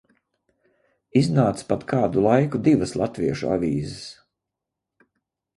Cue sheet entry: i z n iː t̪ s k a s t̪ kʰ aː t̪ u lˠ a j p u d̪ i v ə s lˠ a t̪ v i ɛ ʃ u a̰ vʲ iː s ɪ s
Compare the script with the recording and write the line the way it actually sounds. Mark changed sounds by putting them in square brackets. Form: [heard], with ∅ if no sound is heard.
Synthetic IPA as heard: i z n [aː] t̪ s [p] a [∅] t̪ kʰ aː [d̪] u lˠ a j [k] u d̪ i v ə s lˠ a t̪ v i ɛ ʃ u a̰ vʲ iː [z] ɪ s